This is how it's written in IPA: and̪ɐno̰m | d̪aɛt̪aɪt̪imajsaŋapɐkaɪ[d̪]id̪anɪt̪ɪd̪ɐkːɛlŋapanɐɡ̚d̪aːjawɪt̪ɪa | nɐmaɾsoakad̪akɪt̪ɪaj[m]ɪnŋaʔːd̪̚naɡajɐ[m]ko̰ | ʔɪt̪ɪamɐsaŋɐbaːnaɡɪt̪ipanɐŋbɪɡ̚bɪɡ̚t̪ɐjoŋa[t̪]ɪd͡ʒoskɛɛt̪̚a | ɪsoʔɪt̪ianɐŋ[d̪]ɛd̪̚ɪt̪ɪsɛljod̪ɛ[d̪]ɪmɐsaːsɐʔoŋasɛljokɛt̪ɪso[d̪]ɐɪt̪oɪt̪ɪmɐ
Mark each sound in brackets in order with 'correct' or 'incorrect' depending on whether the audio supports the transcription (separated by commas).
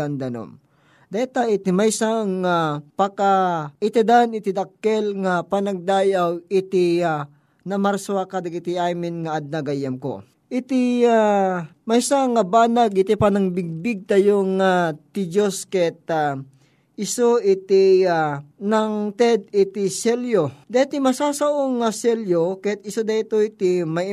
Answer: incorrect, correct, correct, correct, incorrect, incorrect, correct